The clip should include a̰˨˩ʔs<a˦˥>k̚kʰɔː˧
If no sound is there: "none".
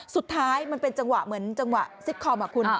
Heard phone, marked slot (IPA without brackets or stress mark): i˦˥